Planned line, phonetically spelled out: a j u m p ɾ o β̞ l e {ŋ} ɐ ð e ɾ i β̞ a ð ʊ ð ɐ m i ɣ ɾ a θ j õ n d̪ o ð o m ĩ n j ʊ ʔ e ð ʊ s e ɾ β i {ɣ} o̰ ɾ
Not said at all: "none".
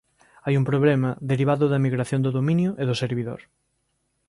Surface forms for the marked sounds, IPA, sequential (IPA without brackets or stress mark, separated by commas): m, ð